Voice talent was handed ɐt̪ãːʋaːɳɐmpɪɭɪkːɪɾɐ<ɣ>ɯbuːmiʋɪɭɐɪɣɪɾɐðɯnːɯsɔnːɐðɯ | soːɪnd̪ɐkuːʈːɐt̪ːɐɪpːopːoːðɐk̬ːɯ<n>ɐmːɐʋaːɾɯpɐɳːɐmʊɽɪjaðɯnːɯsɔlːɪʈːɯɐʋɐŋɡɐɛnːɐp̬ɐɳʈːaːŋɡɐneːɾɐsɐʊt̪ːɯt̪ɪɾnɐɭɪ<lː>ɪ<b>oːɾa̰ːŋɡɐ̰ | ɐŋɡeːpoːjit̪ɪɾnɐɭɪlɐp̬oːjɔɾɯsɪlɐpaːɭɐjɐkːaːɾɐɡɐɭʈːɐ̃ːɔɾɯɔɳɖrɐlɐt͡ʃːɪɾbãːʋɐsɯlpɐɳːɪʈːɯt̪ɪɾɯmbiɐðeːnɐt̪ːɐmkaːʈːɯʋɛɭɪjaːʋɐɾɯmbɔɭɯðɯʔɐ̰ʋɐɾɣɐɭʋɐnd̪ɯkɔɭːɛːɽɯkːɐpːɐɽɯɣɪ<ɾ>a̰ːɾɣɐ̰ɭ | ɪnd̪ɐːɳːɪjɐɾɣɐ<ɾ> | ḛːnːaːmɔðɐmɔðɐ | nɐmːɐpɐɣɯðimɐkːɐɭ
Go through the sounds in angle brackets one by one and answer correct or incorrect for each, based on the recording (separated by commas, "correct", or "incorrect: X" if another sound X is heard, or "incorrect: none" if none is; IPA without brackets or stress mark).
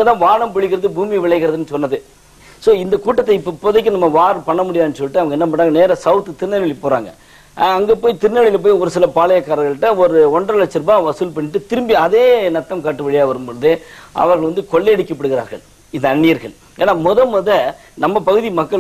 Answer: incorrect: ð, correct, incorrect: l, incorrect: p, correct, incorrect: ɭ